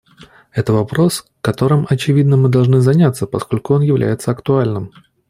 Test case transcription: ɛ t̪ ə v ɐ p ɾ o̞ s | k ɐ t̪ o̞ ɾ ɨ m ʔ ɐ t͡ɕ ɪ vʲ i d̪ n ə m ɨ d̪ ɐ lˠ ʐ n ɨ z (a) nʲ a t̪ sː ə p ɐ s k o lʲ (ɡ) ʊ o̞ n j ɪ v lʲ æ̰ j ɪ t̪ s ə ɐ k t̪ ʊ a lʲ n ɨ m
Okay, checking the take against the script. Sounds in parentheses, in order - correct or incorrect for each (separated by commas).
incorrect, incorrect